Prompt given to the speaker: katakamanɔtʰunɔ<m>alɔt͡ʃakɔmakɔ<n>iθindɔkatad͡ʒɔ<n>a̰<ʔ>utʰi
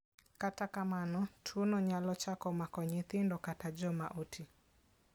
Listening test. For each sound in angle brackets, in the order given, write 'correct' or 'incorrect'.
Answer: incorrect: ɲ, incorrect: ɲ, incorrect: m, correct

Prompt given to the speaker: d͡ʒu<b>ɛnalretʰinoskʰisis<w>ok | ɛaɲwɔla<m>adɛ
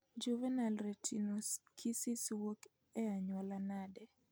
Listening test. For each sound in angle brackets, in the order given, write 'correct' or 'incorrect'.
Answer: incorrect: v, correct, incorrect: n

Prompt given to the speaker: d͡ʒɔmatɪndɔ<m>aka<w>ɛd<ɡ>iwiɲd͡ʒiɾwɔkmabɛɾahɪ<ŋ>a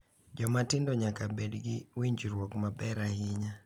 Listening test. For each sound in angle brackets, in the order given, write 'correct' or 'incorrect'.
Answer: incorrect: ɲ, incorrect: b, correct, incorrect: ɲ

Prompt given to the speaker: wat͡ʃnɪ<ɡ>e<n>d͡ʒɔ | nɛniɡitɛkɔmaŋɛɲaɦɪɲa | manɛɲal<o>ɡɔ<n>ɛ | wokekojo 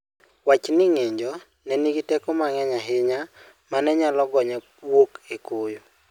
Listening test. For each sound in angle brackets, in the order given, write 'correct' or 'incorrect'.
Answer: incorrect: ŋ, incorrect: ɲ, incorrect: ɔ, incorrect: ɲ

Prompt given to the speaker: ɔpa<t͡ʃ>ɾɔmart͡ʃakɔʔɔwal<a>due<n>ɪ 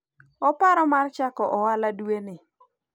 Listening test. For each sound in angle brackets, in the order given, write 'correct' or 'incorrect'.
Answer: incorrect: none, correct, correct

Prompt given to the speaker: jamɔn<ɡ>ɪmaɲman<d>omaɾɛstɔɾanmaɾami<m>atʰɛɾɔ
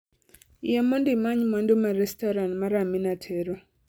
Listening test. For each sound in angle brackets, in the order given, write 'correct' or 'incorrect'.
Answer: incorrect: d, correct, incorrect: n

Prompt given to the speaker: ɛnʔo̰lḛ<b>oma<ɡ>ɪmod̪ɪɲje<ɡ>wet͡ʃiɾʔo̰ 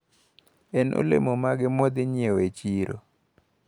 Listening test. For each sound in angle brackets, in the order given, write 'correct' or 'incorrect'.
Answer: incorrect: m, correct, incorrect: none

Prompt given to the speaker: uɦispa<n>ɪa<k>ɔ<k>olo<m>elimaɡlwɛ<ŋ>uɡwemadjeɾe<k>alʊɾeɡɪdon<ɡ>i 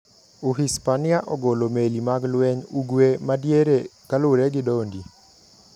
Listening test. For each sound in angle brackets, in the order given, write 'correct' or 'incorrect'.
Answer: correct, incorrect: ʔ, incorrect: ɡ, correct, incorrect: ɲ, correct, incorrect: d

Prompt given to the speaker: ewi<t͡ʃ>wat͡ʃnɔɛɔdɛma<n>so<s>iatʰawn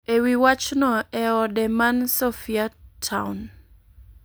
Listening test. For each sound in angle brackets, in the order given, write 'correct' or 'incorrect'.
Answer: incorrect: none, correct, incorrect: f

